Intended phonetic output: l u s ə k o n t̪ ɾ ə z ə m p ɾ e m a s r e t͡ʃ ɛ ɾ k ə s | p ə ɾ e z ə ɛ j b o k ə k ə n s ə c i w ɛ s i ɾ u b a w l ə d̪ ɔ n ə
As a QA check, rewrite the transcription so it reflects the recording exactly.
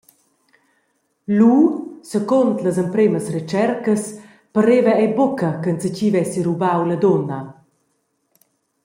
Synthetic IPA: l u s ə k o n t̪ l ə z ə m p ɾ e m ə s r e t͡ʃ ɛ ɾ k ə s | p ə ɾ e v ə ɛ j b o k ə k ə n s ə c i v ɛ s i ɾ u b a w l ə d̪ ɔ n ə